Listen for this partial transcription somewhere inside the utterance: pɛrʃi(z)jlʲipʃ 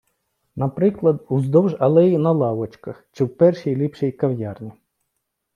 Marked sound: incorrect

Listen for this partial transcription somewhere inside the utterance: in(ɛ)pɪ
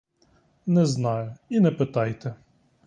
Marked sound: correct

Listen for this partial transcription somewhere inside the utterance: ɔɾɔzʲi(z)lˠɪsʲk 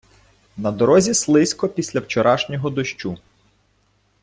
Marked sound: incorrect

